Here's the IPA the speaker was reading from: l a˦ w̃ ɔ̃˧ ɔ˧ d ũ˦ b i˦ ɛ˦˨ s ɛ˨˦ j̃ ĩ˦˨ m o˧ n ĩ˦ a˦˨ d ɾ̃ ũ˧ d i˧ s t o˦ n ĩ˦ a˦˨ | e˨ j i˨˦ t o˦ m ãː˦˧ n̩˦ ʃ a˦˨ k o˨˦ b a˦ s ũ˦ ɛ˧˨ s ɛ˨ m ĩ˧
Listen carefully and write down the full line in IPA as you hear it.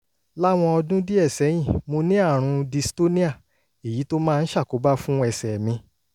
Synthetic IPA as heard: l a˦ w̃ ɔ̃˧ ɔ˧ d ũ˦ d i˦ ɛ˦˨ s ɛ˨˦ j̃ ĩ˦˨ m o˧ n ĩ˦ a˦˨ ɾ̃ ũ˧ d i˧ s t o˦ n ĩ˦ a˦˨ | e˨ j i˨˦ t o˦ m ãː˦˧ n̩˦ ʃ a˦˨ k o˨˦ b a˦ f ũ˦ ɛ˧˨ s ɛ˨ m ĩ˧